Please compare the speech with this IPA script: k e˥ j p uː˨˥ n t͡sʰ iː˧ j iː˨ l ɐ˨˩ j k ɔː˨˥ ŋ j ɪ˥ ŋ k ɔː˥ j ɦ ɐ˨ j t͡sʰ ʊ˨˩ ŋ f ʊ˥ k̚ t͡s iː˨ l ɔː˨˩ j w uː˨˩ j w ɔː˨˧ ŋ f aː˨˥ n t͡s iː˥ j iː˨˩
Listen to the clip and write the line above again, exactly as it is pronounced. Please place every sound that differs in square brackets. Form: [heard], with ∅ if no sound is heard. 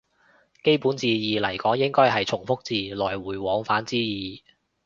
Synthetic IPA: k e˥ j p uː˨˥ n [t͡s] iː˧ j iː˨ l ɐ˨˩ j k ɔː˨˥ ŋ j ɪ˥ ŋ k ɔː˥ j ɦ ɐ˨ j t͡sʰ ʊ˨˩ ŋ f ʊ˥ k̚ t͡s iː˨ l ɔː˨˩ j w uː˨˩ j w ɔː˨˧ ŋ f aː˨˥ n t͡s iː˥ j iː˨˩